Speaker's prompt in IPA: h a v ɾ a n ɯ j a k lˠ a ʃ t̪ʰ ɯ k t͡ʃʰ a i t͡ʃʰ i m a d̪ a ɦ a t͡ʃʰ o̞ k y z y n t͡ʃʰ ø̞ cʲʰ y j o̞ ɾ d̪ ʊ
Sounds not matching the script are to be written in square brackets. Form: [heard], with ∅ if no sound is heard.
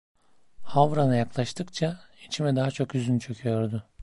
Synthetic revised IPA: h a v ɾ a n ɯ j a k lˠ a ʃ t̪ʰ ɯ k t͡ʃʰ a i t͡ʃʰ i m [ɛ] d̪ a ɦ a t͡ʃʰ o̞ k y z y n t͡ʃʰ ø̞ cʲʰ y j o̞ ɾ d̪ ʊ

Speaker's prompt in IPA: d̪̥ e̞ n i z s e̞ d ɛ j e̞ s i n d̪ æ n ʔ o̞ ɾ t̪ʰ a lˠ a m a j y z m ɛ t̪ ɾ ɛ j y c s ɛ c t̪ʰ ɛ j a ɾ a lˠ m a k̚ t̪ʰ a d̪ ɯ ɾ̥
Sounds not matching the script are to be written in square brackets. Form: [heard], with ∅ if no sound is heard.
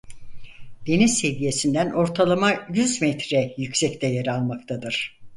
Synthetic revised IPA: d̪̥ e̞ n i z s e̞ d [i] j e̞ s i n d̪ æ n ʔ o̞ ɾ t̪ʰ a lˠ a m a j y z m ɛ t̪ ɾ ɛ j y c s ɛ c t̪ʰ ɛ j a ɾ a lˠ m a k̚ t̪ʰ a d̪ ɯ ɾ̥

